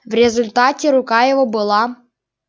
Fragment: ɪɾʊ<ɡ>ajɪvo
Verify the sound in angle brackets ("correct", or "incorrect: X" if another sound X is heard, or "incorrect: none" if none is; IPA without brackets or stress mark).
incorrect: k